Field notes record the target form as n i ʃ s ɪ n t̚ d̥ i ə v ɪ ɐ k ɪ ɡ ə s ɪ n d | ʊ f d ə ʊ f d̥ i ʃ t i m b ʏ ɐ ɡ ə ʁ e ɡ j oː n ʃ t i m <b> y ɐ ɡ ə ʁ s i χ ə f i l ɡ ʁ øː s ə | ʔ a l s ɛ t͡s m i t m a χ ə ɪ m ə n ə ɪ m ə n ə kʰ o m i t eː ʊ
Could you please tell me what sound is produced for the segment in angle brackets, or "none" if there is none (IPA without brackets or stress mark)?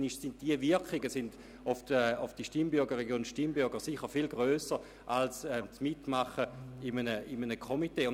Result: b